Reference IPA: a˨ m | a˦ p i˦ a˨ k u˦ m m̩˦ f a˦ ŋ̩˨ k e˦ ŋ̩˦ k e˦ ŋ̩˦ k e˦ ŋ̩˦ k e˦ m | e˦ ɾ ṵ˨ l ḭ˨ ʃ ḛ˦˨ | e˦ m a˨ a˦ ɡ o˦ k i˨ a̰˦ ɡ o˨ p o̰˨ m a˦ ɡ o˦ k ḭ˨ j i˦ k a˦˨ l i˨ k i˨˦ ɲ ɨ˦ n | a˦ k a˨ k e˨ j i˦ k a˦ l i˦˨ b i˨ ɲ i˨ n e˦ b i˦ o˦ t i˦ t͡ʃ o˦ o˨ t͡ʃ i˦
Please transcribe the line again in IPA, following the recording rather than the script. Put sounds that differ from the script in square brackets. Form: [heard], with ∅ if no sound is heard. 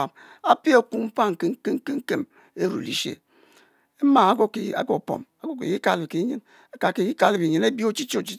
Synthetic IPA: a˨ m | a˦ p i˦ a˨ k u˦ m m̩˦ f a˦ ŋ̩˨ k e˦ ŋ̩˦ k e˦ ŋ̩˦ k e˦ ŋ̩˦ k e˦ m | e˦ ɾ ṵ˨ l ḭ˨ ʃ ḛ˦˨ | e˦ m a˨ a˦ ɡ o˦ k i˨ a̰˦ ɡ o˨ p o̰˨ m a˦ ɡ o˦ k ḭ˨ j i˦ k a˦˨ l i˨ k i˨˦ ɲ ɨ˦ n | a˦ k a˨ k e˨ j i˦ k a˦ l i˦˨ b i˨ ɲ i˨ n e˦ b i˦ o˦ [t͡ʃ] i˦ t͡ʃ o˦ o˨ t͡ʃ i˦